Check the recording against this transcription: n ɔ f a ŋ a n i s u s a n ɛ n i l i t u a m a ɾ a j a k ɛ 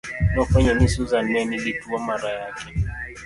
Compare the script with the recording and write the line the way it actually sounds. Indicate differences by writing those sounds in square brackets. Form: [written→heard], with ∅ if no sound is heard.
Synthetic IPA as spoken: n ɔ f a [ŋ→ɲ] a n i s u [s→z] a n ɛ n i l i t u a m a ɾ a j a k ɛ